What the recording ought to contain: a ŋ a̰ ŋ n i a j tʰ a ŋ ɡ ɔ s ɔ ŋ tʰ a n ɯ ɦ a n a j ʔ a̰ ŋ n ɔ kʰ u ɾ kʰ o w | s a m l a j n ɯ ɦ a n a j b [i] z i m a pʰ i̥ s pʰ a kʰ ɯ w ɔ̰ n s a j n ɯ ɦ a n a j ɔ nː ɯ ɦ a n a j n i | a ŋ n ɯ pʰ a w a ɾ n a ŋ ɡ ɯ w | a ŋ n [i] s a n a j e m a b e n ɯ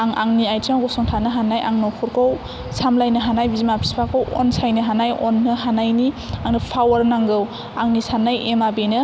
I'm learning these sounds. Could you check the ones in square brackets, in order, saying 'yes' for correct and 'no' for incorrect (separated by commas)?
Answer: yes, yes